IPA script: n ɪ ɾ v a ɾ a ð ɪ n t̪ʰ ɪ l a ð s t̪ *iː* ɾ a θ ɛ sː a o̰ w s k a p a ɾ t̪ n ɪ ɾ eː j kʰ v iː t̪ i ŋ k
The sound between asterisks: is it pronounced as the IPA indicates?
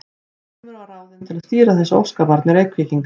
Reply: yes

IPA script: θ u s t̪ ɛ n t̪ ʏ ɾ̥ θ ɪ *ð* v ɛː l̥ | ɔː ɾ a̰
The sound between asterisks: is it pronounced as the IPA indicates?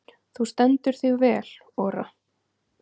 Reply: no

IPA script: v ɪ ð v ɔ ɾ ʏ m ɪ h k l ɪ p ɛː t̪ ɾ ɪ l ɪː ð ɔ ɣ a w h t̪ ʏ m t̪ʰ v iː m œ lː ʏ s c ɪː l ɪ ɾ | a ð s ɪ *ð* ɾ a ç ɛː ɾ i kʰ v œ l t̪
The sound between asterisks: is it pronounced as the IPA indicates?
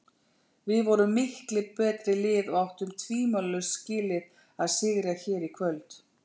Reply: no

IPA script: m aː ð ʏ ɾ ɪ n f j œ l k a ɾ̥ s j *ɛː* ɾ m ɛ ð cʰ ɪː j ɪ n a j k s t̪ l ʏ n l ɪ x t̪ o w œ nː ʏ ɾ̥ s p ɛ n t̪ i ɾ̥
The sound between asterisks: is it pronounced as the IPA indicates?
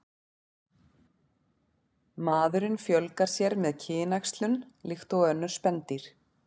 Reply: no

